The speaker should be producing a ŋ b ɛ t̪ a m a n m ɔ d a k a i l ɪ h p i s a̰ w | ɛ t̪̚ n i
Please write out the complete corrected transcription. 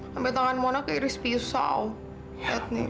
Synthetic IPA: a m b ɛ t̪ a ŋ a n m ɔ n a k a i ɾ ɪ s p i s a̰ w | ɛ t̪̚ n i